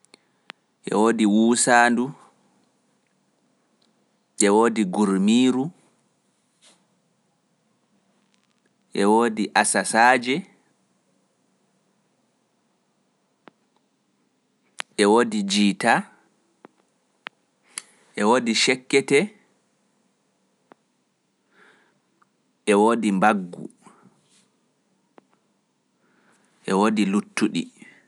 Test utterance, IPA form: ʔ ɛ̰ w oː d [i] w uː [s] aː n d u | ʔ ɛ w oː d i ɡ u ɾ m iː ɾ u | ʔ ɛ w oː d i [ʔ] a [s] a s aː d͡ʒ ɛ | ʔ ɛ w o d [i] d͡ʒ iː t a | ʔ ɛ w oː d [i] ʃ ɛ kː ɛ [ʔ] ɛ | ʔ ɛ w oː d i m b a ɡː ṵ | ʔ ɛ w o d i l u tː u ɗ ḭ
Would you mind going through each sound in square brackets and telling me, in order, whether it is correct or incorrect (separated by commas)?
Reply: correct, correct, correct, correct, correct, correct, incorrect